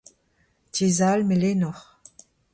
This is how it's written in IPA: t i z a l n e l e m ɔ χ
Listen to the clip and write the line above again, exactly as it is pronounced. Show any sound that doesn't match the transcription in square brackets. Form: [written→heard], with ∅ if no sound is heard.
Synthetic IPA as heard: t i z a l [n→m] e l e [m→n] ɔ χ